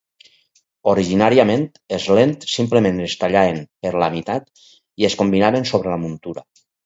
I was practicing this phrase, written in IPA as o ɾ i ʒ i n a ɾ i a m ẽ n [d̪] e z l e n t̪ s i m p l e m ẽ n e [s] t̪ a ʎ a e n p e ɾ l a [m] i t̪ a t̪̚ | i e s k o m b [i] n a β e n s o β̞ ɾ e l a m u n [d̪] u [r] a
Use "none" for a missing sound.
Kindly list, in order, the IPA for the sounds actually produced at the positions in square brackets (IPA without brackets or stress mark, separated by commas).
t̪, s, m, i, t̪, ɾ